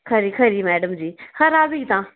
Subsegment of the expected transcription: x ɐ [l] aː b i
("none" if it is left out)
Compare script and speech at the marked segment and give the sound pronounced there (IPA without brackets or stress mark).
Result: ɾ